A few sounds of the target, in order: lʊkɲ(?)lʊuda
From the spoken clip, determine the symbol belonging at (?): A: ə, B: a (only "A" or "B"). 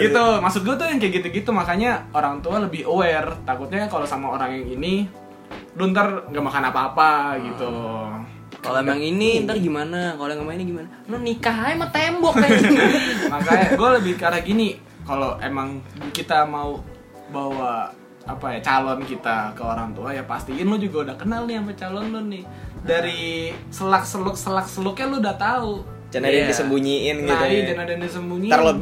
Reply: B